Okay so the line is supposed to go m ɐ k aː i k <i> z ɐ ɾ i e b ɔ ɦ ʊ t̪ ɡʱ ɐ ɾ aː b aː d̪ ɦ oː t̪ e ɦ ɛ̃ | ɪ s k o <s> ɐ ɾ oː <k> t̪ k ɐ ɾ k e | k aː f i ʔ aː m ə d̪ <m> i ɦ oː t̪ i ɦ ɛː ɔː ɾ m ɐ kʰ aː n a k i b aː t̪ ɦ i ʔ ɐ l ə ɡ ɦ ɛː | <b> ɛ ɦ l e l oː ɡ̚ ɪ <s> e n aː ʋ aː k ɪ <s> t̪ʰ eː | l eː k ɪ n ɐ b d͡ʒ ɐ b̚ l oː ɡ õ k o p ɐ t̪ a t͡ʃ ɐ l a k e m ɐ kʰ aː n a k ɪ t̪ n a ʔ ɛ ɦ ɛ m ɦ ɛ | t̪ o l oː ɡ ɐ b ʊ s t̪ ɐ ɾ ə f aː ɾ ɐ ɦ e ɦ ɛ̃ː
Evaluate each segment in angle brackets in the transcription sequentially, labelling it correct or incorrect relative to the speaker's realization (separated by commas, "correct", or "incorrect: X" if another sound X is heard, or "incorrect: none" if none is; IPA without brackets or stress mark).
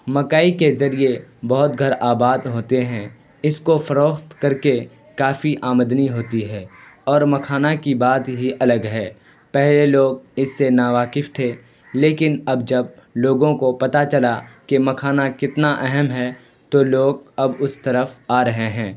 incorrect: e, incorrect: f, incorrect: x, incorrect: n, incorrect: p, incorrect: sː, incorrect: f